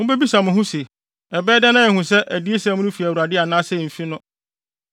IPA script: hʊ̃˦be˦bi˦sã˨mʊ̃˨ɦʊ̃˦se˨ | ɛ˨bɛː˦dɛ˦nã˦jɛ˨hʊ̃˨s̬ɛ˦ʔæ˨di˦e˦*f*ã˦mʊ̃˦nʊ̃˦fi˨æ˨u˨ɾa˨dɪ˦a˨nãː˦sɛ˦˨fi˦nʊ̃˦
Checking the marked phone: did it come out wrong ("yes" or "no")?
yes